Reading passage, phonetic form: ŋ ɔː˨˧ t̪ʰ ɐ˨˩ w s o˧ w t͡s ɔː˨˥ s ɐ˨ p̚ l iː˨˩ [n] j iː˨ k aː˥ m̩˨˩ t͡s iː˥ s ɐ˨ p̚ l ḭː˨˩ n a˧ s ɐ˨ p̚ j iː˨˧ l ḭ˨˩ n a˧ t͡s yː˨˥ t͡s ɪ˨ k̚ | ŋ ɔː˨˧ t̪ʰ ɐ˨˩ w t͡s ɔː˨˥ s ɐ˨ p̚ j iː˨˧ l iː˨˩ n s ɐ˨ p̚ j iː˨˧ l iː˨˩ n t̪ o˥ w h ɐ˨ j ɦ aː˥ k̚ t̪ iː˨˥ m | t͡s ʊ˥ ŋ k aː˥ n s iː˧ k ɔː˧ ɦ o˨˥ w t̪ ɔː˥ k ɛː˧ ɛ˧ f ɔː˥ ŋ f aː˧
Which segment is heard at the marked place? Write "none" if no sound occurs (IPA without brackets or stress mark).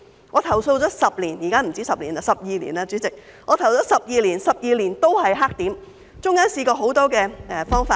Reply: n